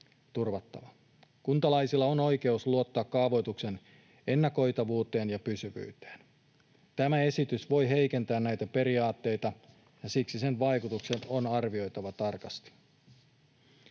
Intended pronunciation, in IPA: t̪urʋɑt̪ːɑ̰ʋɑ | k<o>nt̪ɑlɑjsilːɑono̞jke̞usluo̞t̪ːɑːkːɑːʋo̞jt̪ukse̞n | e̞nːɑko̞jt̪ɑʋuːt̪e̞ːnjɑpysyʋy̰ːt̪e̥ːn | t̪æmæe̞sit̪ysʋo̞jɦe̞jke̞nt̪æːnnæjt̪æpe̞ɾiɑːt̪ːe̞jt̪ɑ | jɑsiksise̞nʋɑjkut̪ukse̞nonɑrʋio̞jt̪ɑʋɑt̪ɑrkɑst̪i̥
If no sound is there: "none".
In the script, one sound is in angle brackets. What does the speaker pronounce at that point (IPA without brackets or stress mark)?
u